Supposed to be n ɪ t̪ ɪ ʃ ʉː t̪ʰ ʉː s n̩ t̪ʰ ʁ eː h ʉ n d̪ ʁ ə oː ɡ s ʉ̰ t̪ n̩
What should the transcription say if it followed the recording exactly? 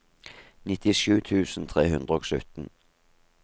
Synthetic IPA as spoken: n ɪ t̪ ɪ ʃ ʉː t̪ʰ ʉː s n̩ t̪ʰ ʁ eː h ʉ n d̪ ʁ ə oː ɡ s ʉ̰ t̪ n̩

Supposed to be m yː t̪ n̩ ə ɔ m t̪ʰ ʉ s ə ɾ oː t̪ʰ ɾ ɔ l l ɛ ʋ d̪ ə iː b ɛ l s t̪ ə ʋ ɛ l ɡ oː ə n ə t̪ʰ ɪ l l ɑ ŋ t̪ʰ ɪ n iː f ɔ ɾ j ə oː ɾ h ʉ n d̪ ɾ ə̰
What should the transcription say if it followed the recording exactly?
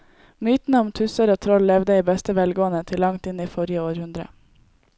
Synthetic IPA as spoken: m yː t̪ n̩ ə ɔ m t̪ʰ ʉ s ə ɾ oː t̪ʰ ɾ ɔ l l ɛ ʋ d̪ ə iː b ɛ s t̪ ə ʋ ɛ l ɡ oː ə n ə t̪ʰ ɪ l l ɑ ŋ t̪ ɪ n iː f ɔ ɾ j ə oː ɾ h ʉ n d̪ ɾ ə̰

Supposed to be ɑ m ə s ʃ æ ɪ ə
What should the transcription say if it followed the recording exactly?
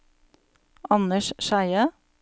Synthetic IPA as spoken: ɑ n ə ʃ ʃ æ ɪ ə

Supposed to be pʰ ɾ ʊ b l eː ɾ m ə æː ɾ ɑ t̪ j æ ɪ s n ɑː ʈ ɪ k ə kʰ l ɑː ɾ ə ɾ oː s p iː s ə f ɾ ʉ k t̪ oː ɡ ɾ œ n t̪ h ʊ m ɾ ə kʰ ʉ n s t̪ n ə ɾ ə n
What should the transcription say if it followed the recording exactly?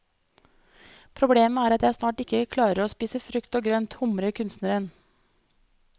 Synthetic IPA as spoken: pʰ ɾ ʊ b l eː m ə æː ɾ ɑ t̪ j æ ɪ s n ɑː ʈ ɪ k ə kʰ l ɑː ɾ ə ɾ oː s p iː s ə f ɾ ʉ k t̪ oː ɡ ɾ œ n t̪ h ʊ m ɾ ə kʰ ʉ n s t̪ n ə ɾ ə n

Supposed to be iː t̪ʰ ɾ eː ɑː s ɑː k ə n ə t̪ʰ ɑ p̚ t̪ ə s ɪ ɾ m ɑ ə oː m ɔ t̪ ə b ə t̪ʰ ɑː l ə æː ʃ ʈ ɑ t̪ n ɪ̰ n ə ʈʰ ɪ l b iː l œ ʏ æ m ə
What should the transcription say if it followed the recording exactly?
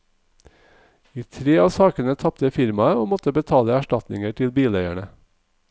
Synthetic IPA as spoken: iː t̪ʰ ɾ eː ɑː s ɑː k ə n ə t̪ʰ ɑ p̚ t̪ ə f ɪ ɾ m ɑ ə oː m ɔ t̪ ə b ə t̪ʰ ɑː l ə æ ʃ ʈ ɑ t̪ n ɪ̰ ŋ ə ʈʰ ɪ l b iː l œ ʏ æ ɳ ə

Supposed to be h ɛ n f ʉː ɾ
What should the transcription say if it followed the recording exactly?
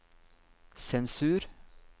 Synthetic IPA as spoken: s ɛ n s ʉː ɾ

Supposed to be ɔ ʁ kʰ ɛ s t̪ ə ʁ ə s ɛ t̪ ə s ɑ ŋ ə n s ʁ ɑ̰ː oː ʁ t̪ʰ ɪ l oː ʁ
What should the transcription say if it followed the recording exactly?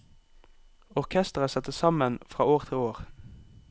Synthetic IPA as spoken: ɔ ʁ kʰ ɛ s t̪ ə ʁ ə s ɛ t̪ ə s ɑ m ə n f ʁ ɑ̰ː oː ʁ t̪ʰ ɪ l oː ʁ

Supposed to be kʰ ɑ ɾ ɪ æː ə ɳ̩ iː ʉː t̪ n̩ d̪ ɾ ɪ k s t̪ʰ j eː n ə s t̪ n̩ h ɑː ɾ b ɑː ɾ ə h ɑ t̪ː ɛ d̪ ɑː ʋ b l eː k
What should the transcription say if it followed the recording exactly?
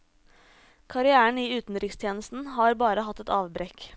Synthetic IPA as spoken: kʰ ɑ ɾ ɪ æː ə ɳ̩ iː ʉː t̪ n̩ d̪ ɾ ɪ k s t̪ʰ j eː n ə s t̪ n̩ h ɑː ɾ b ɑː ɾ ə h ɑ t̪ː ɛ t̪ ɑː ʋ b ɾ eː k

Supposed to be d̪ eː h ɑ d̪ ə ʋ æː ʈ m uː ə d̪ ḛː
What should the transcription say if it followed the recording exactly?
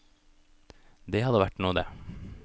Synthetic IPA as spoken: d̪ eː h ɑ d̪ ə ʋ æ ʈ n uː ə d̪ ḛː

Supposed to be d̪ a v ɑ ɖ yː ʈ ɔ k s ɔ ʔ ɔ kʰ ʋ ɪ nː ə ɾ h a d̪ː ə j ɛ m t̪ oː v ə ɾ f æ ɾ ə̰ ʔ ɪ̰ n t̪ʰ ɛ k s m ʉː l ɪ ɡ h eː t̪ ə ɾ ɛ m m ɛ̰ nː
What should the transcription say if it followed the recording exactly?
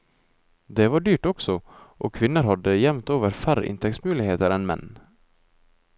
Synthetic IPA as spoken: d̪ ɛ v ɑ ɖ yː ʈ ɔ k s ɔ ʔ ɔ kʰ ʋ ɪ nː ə ɾ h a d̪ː ə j ɛ m t̪ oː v ə ɾ f æ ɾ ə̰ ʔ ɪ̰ n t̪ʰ ɛ k s m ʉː l ɪ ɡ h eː t̪ ə ɾ ɛ n m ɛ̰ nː

